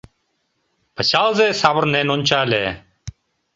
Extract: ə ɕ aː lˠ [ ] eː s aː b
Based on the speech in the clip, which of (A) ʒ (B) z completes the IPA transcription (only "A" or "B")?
B